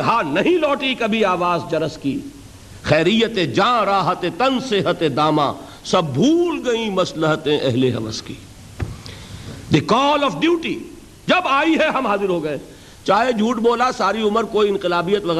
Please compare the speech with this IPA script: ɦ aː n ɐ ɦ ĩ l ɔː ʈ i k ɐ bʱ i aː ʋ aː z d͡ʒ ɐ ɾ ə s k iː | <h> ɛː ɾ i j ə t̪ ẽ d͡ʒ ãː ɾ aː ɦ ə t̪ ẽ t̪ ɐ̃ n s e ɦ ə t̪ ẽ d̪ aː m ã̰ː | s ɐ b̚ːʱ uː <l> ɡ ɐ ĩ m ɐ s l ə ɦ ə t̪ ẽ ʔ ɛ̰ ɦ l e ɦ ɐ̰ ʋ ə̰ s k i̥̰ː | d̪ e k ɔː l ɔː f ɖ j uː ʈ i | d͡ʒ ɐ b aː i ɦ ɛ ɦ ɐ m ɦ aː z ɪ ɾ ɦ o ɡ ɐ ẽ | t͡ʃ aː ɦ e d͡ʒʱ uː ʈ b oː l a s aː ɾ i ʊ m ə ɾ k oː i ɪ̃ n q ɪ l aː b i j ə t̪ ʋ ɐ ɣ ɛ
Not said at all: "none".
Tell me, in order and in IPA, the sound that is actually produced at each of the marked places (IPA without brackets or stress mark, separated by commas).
x, l